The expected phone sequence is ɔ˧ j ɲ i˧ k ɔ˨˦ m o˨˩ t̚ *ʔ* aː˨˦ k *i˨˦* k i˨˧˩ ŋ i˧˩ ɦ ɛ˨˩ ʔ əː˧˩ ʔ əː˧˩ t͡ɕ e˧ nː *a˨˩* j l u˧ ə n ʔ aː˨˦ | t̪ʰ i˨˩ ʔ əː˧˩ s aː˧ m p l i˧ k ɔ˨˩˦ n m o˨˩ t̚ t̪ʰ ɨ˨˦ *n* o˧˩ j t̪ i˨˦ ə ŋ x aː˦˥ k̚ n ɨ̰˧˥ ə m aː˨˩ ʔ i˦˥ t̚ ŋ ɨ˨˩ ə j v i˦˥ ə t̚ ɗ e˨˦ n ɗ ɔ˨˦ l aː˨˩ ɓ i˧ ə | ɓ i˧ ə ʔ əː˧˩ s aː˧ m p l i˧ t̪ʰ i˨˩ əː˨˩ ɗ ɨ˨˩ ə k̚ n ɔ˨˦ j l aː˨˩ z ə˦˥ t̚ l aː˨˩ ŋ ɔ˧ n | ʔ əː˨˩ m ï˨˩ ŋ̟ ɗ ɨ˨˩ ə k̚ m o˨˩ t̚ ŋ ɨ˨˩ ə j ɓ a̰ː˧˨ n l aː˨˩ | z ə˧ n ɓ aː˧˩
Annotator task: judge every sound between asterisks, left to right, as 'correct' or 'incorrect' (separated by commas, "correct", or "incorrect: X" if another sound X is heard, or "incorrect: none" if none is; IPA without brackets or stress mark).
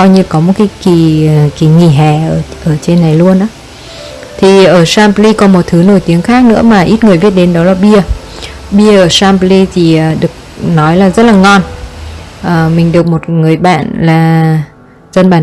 incorrect: k, incorrect: i˧˩, correct, correct